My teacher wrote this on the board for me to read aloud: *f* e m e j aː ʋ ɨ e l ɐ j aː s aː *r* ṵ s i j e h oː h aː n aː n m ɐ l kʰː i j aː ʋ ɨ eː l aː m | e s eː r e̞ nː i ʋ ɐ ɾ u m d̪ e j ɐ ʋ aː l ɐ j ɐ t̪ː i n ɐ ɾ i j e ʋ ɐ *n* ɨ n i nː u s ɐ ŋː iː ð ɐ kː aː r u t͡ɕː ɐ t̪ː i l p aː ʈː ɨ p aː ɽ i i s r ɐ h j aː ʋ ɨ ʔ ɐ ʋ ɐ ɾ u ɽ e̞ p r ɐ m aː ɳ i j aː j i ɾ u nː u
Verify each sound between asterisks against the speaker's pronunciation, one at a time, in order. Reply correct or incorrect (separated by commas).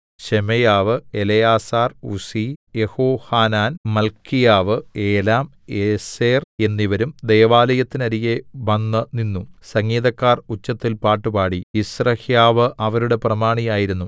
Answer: incorrect, correct, incorrect